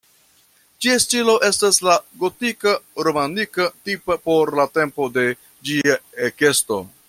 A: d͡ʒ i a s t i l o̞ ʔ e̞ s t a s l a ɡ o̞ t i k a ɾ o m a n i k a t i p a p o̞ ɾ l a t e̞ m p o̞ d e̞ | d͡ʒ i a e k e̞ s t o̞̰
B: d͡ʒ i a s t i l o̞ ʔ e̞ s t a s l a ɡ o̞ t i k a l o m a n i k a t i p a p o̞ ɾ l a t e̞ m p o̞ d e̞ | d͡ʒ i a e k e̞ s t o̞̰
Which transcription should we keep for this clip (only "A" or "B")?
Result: A